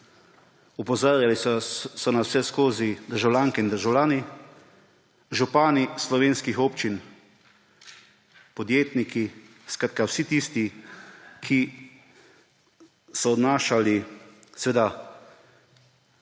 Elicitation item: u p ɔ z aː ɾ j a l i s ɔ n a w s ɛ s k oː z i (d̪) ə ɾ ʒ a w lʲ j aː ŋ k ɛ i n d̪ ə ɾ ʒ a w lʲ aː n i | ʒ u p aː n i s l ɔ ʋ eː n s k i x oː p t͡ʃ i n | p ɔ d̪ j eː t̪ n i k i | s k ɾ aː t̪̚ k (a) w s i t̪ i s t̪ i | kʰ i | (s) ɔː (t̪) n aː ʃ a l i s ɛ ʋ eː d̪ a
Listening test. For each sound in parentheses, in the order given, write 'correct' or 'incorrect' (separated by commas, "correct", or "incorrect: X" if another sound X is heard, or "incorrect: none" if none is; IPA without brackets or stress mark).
correct, correct, correct, incorrect: d̪